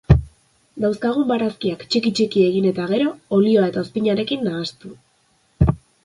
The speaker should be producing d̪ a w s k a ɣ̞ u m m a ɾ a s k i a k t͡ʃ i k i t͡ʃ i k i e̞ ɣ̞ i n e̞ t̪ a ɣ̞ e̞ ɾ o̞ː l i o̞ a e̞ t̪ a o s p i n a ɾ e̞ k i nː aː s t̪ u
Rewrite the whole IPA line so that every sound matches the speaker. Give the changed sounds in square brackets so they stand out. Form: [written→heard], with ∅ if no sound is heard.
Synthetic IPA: d̪ a w s k a ɣ̞ u m [m→b] a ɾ a s k i a k t͡ʃ i k i t͡ʃ i k i e̞ ɣ̞ i n e̞ t̪ a ɣ̞ e̞ ɾ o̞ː l i o̞ a e̞ t̪ a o s p i [n→ɲ] a ɾ e̞ k i nː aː s t̪ u